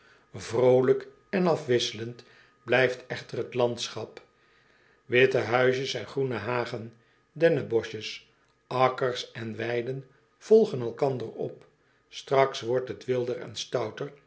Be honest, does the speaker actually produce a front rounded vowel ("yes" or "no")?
yes